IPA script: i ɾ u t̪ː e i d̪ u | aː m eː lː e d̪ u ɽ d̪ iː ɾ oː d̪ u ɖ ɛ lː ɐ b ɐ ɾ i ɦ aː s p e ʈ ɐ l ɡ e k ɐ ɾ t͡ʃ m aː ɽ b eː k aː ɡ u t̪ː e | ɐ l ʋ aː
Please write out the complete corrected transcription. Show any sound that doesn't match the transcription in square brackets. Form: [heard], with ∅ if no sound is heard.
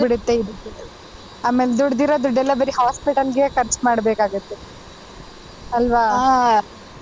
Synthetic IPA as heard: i [ɽ] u t̪ː e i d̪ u | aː m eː [l] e d̪ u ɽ d̪ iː ɾ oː d̪ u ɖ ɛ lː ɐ b ɐ ɾ i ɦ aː s p [i] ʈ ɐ l ɡ e k ɐ ɾ t͡ʃ m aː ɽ b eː k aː ɡ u t̪ː e | ɐ l ʋ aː